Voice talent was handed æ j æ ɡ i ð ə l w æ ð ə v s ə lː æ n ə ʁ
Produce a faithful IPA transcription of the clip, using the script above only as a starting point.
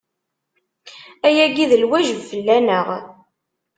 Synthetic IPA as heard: æ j æ ɡ i ð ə l w æ ʒ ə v f ə lː æ n ə ʁ